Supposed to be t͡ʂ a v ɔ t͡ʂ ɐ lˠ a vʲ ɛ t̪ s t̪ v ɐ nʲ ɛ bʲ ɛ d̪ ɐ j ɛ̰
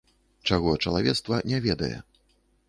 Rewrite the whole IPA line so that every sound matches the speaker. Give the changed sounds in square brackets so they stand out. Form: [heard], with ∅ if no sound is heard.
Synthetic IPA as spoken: t͡ʂ a [ɣ] ɔ t͡ʂ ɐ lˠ a vʲ ɛ t̪ s t̪ v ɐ nʲ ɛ [vʲ] ɛ d̪ ɐ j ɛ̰